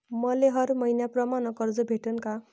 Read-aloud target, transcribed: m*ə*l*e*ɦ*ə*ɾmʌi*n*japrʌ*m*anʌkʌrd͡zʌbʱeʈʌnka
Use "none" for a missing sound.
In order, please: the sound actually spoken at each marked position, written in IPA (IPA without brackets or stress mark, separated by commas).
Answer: ʌ, e, ʌ, n, m